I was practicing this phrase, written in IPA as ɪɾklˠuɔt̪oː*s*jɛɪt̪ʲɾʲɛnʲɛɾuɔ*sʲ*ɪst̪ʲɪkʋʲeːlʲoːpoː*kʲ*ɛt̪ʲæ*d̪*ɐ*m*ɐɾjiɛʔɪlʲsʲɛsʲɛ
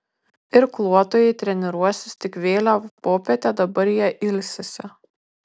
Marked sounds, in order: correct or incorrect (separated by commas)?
incorrect, correct, incorrect, correct, incorrect